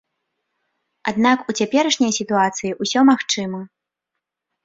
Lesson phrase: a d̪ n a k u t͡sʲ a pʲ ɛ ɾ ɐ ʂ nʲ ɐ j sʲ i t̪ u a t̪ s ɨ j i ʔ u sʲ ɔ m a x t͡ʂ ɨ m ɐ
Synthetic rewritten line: a d̪ n a k u t͡sʲ a pʲ ɛ ɾ ɐ ʂ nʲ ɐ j sʲ i t̪ u a t̪ s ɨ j i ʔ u sʲ ɔ m a x t͡ʂ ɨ m ɐ